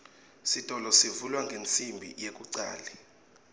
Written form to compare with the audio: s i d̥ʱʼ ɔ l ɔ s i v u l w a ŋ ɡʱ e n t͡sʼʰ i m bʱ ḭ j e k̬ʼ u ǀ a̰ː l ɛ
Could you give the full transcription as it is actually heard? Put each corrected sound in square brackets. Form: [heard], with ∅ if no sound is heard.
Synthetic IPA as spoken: s i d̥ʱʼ ɔ l ɔ s i v u l w a ŋ ɡʱ e n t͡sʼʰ i m bʱ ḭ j e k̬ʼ u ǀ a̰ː l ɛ